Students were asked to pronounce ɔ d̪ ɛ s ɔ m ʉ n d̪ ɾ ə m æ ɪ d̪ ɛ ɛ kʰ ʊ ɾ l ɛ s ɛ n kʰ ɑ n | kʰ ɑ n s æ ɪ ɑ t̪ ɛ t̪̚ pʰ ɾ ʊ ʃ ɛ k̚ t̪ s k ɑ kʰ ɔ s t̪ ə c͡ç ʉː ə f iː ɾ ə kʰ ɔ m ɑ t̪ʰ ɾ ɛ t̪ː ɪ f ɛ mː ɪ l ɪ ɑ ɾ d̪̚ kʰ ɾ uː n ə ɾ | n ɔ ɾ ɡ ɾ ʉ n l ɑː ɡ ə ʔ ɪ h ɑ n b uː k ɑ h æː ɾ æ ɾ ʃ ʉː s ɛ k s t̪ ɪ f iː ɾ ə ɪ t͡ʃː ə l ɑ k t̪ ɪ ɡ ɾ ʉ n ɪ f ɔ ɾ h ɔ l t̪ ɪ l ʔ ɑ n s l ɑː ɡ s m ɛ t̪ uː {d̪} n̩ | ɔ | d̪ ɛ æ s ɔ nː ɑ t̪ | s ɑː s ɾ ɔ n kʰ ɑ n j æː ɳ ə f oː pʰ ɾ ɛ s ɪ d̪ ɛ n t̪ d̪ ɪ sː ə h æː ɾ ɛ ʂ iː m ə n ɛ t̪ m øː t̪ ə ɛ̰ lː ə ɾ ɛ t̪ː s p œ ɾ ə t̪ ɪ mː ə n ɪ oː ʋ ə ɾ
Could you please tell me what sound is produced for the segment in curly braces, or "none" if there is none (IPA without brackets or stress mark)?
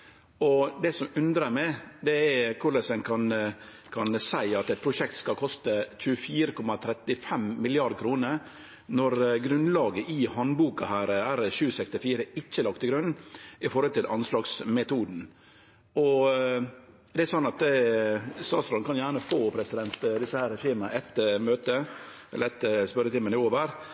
d̪